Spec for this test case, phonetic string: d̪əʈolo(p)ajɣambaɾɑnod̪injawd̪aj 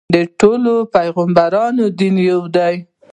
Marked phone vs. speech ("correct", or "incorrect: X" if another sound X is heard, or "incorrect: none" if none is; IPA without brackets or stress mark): correct